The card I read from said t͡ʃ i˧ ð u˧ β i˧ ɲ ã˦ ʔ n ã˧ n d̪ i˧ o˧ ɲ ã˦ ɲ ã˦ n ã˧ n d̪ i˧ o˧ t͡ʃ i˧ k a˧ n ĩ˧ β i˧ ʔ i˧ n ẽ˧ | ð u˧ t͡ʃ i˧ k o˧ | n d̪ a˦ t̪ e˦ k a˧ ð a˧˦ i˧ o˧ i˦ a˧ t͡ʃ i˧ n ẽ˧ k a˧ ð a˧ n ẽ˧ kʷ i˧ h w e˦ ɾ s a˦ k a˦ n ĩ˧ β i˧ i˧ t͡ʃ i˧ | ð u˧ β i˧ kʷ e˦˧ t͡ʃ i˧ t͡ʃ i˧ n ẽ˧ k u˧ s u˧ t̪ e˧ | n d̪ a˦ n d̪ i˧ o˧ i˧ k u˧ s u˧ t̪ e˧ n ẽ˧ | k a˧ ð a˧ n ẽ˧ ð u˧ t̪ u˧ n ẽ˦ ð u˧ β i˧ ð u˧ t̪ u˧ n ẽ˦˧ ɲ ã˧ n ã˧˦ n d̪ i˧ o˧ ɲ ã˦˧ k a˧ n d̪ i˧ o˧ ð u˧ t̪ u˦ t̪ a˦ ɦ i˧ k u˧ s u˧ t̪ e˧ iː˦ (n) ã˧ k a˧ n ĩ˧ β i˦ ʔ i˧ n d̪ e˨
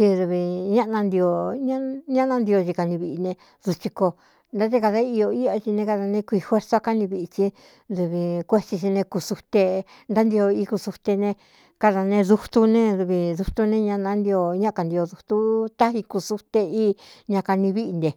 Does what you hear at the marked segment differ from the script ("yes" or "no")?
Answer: yes